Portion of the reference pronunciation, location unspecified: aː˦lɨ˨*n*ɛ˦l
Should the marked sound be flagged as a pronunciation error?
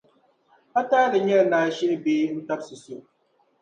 yes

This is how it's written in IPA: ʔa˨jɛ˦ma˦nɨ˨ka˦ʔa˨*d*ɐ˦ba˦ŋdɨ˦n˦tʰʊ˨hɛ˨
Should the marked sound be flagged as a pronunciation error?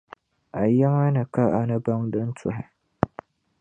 yes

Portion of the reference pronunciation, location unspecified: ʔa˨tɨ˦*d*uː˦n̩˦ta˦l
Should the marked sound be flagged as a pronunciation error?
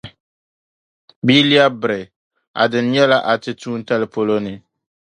yes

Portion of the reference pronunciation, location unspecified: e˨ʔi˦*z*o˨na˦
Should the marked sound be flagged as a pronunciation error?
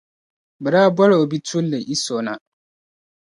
yes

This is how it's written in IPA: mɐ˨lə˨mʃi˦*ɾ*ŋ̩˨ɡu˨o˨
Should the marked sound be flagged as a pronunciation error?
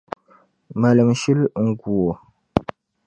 yes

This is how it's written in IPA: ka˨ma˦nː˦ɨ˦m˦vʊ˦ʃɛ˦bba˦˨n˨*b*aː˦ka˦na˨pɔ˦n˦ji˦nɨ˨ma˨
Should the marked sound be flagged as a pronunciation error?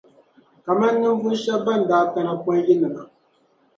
yes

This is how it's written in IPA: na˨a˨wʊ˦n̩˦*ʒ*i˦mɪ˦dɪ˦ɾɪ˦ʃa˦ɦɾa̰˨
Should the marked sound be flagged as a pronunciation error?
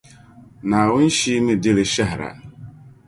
yes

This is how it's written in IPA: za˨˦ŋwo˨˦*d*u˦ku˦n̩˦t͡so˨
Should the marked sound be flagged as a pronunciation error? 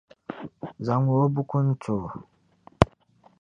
yes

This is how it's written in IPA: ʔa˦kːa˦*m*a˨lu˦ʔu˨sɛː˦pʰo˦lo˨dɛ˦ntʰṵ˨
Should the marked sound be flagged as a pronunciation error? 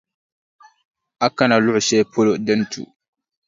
yes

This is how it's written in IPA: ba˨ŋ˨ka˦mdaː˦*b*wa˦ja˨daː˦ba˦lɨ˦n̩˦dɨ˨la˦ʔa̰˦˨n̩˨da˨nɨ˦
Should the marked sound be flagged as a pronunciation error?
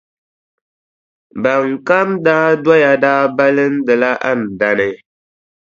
yes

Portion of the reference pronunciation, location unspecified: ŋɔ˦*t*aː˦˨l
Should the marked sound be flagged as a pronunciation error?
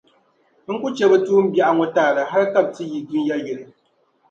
no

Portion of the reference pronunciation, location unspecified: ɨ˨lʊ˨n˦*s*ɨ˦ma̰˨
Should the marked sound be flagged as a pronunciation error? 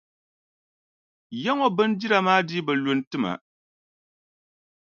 yes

